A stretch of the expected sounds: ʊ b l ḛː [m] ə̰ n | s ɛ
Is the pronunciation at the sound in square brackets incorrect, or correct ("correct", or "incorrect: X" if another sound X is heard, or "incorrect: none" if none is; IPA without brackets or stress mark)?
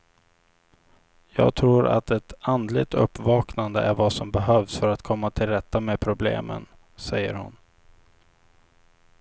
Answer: correct